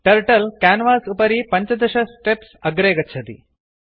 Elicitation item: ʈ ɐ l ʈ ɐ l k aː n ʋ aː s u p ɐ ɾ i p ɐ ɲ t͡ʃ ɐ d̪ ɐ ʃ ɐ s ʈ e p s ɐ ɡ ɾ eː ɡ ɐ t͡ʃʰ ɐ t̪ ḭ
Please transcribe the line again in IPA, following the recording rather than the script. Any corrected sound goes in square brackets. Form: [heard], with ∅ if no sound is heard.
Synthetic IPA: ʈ ɐ [ɾ] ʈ ɐ l k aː n ʋ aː s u p ɐ ɾ i p ɐ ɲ t͡ʃ ɐ d̪ ɐ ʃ ɐ s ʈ e p s ɐ ɡ ɾ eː ɡ ɐ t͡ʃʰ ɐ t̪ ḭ